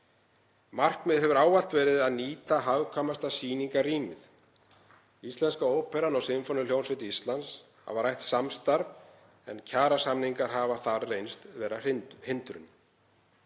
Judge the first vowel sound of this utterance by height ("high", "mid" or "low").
low